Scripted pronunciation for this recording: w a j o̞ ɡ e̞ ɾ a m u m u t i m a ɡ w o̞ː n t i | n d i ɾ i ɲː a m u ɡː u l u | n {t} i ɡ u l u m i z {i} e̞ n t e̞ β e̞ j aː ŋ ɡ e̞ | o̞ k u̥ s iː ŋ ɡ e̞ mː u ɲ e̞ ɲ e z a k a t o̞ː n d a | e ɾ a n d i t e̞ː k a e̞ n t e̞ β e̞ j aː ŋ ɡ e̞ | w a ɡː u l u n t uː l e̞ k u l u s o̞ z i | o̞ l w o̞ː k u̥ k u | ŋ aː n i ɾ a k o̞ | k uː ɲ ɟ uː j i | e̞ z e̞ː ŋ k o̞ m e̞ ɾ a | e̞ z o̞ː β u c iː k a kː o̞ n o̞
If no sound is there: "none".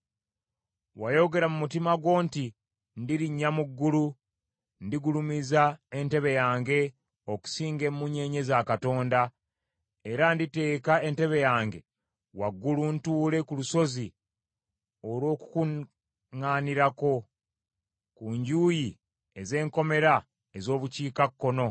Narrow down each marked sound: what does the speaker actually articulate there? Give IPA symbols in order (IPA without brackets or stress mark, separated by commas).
d, a